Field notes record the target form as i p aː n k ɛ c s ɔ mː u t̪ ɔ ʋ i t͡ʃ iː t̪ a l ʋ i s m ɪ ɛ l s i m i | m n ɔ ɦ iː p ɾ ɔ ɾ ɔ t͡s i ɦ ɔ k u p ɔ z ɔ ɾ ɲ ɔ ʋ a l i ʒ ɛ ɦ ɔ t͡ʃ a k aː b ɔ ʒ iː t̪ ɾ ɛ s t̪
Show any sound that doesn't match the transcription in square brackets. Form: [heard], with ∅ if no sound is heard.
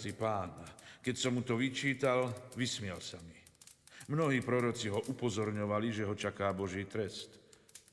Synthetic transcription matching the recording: i p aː n k ɛ c s ɔ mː u t̪ ɔ ʋ i t͡ʃ iː t̪ a l ʋ i s m ɪ ɛ l s [a] m i | m n ɔ ɦ iː p ɾ ɔ ɾ ɔ t͡s i ɦ ɔ [ʔ] u p ɔ z ɔ ɾ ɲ ɔ ʋ a l i ʒ ɛ ɦ ɔ t͡ʃ a k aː b ɔ ʒ iː t̪ ɾ ɛ s t̪